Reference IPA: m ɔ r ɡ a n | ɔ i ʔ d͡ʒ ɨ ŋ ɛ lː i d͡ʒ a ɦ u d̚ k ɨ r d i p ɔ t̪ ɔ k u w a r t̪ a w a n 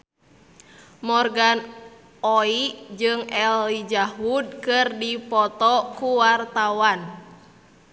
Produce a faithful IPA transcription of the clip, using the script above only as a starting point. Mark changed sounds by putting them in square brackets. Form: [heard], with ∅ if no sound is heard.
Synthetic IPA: m ɔ r ɡ a n | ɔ i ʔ d͡ʒ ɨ ŋ ɛ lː i d͡ʒ a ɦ u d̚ k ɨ r d i p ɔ t̪ ɔ k u w a r t̪ a w a n